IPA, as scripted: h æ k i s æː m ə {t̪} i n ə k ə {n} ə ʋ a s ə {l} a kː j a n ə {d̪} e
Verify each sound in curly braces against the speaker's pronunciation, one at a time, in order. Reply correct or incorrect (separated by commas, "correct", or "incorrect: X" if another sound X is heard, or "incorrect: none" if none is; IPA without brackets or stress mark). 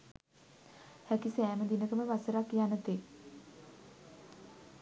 incorrect: d̪, incorrect: m, incorrect: ɾ, incorrect: t̪